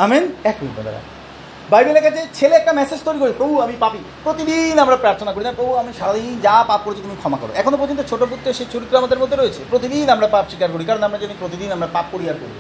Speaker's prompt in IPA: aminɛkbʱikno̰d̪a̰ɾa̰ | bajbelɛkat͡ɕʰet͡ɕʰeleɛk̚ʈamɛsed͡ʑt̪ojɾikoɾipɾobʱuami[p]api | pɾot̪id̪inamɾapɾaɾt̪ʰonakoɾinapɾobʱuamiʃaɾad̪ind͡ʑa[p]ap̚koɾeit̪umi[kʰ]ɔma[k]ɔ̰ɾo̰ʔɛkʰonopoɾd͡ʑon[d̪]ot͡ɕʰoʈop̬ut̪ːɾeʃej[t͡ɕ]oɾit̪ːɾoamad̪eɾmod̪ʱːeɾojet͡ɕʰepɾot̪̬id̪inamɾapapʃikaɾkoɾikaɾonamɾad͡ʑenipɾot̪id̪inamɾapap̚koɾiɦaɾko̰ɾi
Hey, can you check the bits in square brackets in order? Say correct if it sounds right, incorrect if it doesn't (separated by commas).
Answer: correct, correct, correct, correct, incorrect, correct